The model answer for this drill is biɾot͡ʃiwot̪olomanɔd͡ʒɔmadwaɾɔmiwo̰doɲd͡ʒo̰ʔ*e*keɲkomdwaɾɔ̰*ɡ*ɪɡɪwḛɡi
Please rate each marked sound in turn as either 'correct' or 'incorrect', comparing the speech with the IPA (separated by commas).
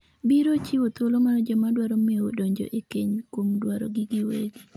correct, correct